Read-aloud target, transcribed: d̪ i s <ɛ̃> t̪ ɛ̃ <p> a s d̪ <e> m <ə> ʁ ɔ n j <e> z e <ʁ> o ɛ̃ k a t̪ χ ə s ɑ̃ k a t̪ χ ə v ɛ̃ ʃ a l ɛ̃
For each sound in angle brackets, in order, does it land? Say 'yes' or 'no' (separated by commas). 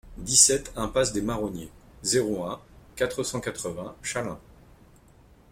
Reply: no, yes, yes, no, yes, yes